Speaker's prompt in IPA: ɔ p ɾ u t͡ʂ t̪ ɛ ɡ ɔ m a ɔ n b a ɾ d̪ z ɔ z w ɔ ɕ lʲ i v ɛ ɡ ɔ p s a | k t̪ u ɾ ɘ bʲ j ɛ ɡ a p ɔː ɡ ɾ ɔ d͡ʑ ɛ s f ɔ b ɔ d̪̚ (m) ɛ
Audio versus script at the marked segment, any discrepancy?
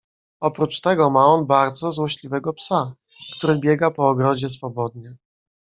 yes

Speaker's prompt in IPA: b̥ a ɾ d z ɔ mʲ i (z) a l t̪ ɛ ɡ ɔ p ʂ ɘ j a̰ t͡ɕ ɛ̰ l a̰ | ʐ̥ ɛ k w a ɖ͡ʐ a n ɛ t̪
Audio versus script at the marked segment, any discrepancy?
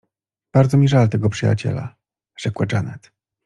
yes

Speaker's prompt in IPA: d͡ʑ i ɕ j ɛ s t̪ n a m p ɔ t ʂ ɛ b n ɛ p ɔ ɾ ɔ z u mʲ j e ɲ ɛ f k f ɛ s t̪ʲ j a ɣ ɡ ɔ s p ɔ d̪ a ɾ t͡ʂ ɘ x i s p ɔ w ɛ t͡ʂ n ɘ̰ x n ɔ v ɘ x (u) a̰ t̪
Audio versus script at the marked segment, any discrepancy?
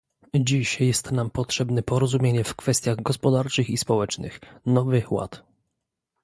yes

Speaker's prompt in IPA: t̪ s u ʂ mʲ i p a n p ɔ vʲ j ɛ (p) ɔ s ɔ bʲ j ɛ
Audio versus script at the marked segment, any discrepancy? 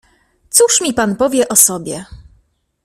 yes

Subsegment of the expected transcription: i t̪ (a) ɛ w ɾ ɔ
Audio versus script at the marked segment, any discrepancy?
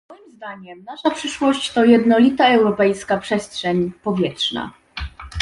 no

